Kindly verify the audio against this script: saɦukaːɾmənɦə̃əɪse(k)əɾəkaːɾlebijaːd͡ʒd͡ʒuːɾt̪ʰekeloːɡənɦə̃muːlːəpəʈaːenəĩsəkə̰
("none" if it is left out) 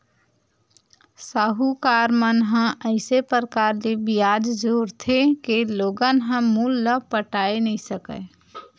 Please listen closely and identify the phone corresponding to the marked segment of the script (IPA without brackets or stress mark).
p